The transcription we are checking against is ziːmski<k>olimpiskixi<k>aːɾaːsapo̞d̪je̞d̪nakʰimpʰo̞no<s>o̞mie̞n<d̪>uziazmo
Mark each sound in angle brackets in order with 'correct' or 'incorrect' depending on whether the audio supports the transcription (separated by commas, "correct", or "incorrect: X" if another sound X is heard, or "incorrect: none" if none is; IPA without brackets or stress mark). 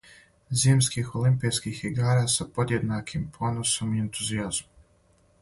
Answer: incorrect: x, incorrect: ɡ, correct, incorrect: t̪